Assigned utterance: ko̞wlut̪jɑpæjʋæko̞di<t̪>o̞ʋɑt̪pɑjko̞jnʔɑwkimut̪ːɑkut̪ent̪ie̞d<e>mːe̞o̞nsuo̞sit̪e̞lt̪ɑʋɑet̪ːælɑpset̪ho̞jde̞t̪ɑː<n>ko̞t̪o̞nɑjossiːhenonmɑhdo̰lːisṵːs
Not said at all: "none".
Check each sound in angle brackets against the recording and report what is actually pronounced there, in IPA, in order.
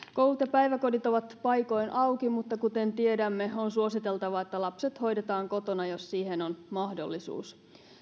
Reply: t̪, æ, ŋ

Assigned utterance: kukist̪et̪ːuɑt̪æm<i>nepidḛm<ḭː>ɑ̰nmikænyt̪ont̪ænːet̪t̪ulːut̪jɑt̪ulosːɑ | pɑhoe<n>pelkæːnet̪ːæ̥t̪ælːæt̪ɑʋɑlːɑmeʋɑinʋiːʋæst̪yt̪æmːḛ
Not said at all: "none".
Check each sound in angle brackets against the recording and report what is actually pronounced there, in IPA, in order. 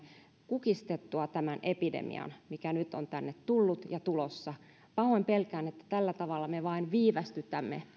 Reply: æ, ḭ, m

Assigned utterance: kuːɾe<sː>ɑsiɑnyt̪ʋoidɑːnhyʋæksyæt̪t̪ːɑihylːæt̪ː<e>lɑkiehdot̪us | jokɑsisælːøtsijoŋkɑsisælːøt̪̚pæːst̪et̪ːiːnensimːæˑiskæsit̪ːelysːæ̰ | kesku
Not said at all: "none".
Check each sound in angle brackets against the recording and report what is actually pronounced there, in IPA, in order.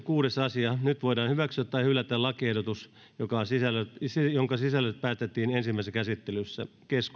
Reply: s, æ

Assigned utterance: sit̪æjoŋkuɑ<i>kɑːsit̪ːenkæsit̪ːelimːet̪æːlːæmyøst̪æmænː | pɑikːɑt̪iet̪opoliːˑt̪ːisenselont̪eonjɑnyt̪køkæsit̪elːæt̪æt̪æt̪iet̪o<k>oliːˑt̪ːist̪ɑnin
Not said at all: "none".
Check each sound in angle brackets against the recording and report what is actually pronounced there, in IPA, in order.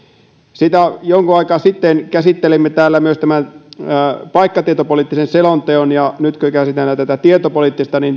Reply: i, p

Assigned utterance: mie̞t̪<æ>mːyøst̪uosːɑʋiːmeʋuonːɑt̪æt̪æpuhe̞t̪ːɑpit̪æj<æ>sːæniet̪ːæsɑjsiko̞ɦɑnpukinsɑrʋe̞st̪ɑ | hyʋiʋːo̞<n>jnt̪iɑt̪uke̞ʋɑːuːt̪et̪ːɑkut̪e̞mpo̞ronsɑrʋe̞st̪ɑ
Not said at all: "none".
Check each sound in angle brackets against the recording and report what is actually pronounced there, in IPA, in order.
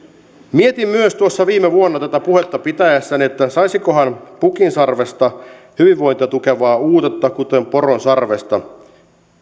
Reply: i, æ, none

